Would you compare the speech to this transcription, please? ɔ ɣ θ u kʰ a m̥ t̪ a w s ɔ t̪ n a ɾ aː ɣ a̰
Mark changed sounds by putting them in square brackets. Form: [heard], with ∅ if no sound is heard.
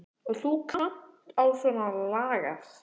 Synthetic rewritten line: ɔ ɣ θ u kʰ a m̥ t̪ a w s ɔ [∅] n a [l] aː ɣ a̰